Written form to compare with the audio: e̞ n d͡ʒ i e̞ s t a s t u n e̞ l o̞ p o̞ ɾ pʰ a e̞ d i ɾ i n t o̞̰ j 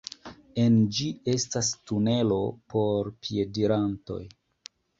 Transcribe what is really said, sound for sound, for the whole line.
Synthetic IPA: e̞ n d͡ʒ i e̞ s t a s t u n e̞ l o̞ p o̞ ɾ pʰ i e̞ d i ɾ a n t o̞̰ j